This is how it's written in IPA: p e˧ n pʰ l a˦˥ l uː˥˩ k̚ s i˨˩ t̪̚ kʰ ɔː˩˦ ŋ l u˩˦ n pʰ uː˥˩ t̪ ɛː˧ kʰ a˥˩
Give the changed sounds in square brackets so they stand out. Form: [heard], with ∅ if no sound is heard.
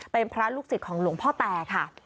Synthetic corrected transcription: p e˧ n pʰ [ɾ] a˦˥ l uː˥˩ k̚ s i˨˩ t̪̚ kʰ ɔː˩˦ ŋ l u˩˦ [ŋ] pʰ [ɔː˥˩] t̪ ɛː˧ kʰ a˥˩